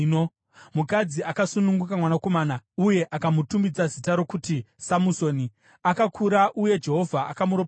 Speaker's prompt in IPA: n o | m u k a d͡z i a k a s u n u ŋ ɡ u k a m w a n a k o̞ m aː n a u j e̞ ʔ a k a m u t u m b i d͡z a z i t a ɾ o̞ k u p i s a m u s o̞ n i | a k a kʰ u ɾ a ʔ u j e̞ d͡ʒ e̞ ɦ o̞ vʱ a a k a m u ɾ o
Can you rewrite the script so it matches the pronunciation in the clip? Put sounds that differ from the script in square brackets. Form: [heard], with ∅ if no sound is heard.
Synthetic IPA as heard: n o | m u k a d͡z i a k a s u n u ŋ ɡ u k a m w a n a k o̞ m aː n a u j e̞ ʔ a k a m u t u m b i d͡z a z i t a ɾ o̞ k u [t] i s a m u s o̞ n i | a k a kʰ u ɾ a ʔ u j e̞ d͡ʒ e̞ ɦ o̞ vʱ a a k a m u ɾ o